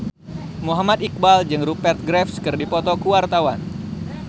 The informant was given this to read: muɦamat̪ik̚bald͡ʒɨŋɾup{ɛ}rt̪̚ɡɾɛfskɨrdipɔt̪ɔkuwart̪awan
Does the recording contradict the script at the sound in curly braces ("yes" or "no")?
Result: no